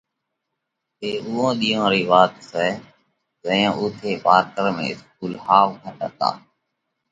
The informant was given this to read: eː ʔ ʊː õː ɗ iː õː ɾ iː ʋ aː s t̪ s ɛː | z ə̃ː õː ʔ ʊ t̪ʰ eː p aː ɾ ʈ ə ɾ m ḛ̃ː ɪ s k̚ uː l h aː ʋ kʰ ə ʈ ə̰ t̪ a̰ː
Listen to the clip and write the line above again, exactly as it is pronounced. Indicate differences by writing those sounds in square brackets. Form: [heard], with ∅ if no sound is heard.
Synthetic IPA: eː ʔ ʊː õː ɗ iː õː ɾ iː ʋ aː [∅] t̪ s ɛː | z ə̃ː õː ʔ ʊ t̪ʰ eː p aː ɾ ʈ ə ɾ m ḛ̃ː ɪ s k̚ uː l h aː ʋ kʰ ə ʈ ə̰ t̪ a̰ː